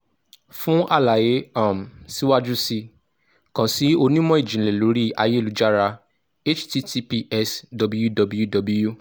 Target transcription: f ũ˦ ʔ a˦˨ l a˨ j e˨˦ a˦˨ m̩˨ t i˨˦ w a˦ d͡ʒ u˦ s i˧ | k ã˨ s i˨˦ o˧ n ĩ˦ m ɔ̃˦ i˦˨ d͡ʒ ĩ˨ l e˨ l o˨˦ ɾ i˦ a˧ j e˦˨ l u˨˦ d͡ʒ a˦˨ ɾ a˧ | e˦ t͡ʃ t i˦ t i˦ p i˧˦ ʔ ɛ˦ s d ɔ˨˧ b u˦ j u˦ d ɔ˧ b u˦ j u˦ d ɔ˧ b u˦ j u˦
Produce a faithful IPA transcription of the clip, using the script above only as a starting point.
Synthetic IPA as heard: f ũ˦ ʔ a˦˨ l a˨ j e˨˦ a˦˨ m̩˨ s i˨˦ w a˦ d͡ʒ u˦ s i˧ | k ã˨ s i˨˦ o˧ n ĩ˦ m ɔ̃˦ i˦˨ d͡ʒ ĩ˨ l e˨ l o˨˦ ɾ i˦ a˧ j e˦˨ l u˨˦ d͡ʒ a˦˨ ɾ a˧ | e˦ t͡ʃ t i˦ t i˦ p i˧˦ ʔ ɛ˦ s d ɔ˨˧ b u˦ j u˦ d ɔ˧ b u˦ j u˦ d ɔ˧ b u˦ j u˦